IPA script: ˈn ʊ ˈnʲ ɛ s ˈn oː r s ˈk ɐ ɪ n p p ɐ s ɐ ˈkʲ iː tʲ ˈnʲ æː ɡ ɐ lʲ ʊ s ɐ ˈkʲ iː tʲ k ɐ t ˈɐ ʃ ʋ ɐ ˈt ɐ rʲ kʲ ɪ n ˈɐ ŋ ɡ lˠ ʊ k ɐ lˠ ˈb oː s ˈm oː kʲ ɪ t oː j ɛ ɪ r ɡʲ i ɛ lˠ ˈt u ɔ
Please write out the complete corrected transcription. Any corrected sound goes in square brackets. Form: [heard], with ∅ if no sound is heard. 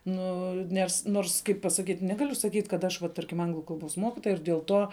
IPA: ˈn ʊ ˈnʲ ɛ s ˈn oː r s ˈk ɐ ɪ [∅] p p ɐ s ɐ ˈkʲ iː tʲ ˈnʲ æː ɡ ɐ lʲ ʊ s ɐ ˈkʲ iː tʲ k ɐ t ˈɐ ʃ ʋ ɐ ˈt ɐ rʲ kʲ ɪ [m] ˈɐ ŋ ɡ lˠ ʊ k ɐ lˠ ˈb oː s ˈm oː kʲ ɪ t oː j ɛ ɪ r [dʲ] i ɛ lˠ ˈt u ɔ